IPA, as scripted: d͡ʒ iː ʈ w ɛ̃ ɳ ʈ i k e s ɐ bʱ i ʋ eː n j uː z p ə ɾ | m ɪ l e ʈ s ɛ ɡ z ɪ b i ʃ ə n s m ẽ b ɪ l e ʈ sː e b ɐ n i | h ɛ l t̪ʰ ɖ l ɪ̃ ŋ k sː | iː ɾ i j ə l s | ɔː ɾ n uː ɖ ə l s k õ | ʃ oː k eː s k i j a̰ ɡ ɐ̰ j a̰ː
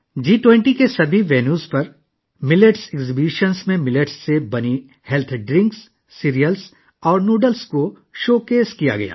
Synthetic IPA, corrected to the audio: d͡ʒ iː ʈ w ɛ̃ ɳ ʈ i k e s ɐ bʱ i ʋ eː n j uː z p ɐ ɾ | m ɪ l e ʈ s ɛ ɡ z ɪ b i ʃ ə n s m ẽ m ɪ l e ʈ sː e b ɐ n i | h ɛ l t̪ʰ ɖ ɾ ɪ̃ ŋ k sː | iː ɾ i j ə l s | ɔː ɾ n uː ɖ ə l s k o | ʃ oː k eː s k i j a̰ ɡ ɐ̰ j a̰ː